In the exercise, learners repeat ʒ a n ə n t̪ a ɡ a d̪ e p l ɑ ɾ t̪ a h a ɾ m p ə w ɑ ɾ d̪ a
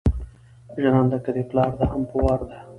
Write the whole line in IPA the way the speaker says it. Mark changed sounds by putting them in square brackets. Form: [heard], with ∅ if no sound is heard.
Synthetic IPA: ʒ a n [ɑ] n [d̪] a [k] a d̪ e p l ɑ ɾ [d̪] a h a [∅] m p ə w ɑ ɾ d̪ a

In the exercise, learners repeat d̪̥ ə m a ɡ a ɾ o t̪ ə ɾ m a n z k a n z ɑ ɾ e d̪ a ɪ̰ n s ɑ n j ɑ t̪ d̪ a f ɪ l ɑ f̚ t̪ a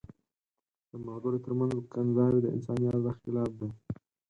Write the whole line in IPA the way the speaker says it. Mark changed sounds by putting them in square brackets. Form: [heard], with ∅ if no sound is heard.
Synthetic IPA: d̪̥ ə m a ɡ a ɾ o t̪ ə ɾ m a n z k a n z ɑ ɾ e d̪ [ə] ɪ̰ n s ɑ n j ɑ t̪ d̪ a [x] ɪ l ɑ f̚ [d̪] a

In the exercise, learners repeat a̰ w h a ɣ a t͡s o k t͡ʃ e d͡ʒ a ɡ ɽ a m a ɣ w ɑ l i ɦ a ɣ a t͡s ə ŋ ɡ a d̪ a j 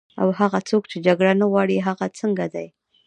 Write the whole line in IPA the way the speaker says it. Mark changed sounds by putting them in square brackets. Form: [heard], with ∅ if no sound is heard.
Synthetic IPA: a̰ w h a ɣ a t͡s o k t͡ʃ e d͡ʒ a ɡ ɽ a [n] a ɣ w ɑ [ɽ] i ɦ a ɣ a t͡s ə ŋ ɡ a d̪ a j

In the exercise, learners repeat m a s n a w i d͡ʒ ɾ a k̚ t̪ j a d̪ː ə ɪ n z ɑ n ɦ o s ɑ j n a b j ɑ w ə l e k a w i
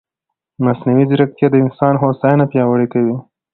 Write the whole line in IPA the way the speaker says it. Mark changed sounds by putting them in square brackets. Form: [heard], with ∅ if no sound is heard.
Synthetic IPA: m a s n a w i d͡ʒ ɾ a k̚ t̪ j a [d̪] ə ɪ n [s] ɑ n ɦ o s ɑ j n a [p] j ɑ w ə [ɽ] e k a w i

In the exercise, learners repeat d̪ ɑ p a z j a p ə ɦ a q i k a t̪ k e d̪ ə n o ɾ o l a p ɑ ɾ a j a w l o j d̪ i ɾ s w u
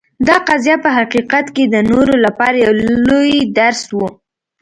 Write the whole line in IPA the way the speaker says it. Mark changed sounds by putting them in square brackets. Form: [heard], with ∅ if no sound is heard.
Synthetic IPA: d̪ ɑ [q] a z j a p ə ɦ a q i [q] a t̪ k e d̪ ə n o ɾ o l a p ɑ ɾ a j a w l o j d̪ [a] ɾ s w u

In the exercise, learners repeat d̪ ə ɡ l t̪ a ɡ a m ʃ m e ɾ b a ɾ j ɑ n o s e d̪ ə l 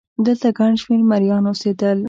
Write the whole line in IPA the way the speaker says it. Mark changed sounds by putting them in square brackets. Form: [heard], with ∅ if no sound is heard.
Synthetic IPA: d̪ ə [∅] l t̪ a ɡ a [ɳ] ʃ m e ɾ [m] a ɾ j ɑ n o s e d̪ ə l

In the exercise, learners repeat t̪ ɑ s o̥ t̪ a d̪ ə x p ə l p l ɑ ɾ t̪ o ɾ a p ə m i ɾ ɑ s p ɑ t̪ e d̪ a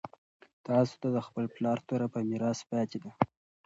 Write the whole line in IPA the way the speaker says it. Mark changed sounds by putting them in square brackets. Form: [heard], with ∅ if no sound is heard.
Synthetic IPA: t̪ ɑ s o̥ t̪ a d̪ ə x p ə l p l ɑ ɾ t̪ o ɾ a p ə m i ɾ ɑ s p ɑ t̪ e d̪ a

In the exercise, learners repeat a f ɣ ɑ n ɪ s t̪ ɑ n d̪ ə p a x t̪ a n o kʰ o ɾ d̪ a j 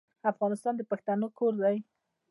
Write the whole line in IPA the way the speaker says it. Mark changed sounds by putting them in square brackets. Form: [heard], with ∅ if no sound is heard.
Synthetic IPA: a f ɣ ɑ n ɪ s t̪ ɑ n d̪ ə p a x t̪ a n o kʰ o ɾ d̪ a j

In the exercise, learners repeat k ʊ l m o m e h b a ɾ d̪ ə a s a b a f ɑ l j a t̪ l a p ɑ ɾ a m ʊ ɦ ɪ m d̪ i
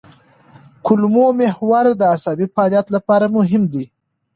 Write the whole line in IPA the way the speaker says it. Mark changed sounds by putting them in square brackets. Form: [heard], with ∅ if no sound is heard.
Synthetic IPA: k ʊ l m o m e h [w] a ɾ d̪ ə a s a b [i] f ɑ l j a t̪ l a p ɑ ɾ a m ʊ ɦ ɪ m d̪ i

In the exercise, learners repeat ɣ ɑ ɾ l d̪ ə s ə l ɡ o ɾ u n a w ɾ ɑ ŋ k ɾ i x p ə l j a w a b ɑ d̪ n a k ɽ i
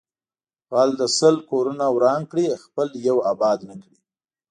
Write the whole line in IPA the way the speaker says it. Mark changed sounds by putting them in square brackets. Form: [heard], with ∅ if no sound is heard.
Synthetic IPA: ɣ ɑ [∅] l d̪ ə s ə l [k] o ɾ u n a w ɾ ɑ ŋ k [ɽ] i x p ə l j a w a b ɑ d̪ n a k ɽ i

